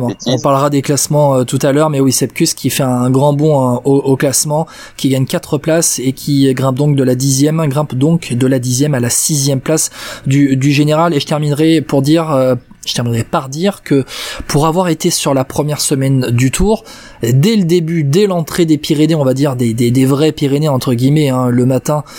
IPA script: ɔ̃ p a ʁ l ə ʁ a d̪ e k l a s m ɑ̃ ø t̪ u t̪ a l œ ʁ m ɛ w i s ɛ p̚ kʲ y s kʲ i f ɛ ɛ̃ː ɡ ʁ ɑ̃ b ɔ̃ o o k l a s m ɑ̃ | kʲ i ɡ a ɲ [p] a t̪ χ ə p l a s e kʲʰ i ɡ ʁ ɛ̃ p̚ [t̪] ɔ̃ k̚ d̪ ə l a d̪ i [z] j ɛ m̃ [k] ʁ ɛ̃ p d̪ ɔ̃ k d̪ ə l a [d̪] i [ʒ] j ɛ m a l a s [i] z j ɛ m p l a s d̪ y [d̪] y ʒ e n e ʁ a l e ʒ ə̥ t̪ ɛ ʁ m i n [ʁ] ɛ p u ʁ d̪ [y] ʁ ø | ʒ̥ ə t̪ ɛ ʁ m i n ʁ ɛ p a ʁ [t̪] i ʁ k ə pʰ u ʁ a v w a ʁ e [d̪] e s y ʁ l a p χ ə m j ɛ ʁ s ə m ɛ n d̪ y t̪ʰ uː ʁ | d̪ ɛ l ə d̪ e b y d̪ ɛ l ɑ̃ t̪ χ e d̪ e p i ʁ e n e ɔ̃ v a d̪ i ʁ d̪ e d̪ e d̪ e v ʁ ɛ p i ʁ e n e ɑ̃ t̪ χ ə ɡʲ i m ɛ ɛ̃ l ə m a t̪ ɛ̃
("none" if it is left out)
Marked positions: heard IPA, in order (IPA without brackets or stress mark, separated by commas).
k, d̪, z, ɡ, d̪, z, i, d̪, ʁ, i, d̪, t̪